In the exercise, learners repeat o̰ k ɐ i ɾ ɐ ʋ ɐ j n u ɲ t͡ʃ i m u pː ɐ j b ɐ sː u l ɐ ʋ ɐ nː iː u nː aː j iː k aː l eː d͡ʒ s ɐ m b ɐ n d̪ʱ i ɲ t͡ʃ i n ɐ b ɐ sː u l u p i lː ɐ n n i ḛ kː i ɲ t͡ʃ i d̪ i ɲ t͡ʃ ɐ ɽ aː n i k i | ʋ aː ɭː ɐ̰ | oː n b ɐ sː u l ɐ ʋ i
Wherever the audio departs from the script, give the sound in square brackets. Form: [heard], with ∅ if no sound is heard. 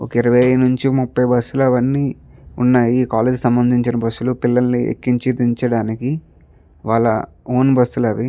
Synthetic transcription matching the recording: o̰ k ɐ i ɾ ɐ ʋ ɐ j n u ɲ t͡ʃ i m u pː ɐ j b ɐ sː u l ɐ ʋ ɐ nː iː u nː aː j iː k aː l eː d͡ʒ s ɐ m b ɐ n d̪ʱ i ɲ t͡ʃ i n ɐ b ɐ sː u l u p i lː ɐ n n i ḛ kː i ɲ t͡ʃ i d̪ i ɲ t͡ʃ ɐ ɽ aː n i k i | ʋ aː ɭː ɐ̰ | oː n b ɐ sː u l ɐ ʋ i